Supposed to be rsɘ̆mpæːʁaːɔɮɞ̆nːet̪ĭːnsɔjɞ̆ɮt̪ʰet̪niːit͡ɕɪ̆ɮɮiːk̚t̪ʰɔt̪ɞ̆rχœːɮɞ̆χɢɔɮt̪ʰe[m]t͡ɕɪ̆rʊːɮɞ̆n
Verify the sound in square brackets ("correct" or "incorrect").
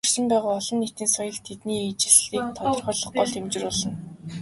correct